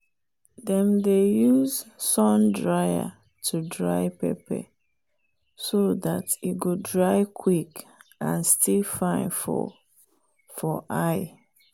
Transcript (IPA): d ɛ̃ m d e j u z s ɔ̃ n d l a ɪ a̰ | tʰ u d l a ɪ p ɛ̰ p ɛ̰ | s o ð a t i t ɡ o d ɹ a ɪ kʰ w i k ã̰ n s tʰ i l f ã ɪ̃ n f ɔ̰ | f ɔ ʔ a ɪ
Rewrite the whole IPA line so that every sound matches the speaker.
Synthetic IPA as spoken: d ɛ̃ m d e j u z s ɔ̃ n d ɹ a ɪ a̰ | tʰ u d ɹ a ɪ p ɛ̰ p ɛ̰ | s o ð a t i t ɡ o d ɹ a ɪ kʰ w i k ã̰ n s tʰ i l f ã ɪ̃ n f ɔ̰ | f ɔ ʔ a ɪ